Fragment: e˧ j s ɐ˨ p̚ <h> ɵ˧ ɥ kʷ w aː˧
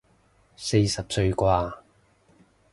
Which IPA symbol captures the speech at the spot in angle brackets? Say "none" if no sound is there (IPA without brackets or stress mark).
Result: s